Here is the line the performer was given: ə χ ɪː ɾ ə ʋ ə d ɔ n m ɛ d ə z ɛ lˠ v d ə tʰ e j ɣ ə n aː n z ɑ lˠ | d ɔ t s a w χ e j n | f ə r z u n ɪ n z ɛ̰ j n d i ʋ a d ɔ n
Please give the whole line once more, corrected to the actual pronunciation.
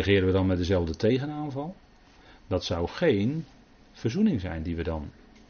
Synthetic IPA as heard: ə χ ɪː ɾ ə ʋ ə d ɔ n m ɛ d ə z ɛ lˠ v d ə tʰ e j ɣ ə n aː n v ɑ lˠ | d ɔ t s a w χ e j n | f ə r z u n ɪ ŋ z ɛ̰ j n d i ʋ ə d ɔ n